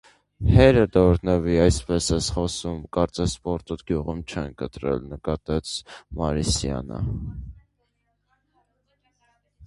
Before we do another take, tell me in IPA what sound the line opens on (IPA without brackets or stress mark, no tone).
h